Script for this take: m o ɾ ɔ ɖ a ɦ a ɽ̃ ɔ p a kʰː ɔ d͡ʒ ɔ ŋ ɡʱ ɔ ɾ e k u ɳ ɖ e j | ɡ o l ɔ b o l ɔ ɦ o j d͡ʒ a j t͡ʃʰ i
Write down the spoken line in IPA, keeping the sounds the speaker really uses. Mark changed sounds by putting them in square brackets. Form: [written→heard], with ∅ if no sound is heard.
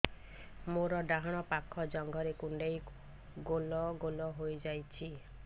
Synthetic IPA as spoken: m o ɾ ɔ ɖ a ɦ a ɽ̃ ɔ p a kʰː ɔ d͡ʒ ɔ ŋ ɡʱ ɔ ɾ e k u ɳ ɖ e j | ɡ o l ɔ [b→ɡ] o l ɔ ɦ o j d͡ʒ a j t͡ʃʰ i